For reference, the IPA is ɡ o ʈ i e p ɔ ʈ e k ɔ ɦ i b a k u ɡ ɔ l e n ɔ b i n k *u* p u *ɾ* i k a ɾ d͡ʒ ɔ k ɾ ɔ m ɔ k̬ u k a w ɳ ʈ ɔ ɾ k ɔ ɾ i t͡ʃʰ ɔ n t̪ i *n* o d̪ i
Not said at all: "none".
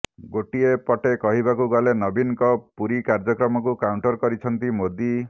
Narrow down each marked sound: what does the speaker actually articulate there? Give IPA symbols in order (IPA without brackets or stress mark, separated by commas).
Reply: ɔ, ɾ, m